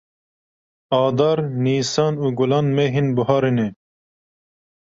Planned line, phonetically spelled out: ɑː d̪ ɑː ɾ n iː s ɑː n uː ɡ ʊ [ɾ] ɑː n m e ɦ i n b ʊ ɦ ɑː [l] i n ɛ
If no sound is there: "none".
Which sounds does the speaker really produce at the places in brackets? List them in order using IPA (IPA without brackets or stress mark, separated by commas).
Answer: l, ɾ